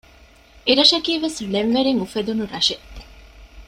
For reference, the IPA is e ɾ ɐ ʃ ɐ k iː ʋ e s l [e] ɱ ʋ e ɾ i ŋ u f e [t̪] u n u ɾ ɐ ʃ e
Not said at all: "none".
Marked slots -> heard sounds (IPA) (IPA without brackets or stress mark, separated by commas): e, d̪